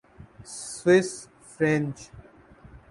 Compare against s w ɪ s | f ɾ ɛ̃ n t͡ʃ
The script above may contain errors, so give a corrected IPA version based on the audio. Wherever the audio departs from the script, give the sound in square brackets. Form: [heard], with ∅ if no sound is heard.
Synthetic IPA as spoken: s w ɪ s | f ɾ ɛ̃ n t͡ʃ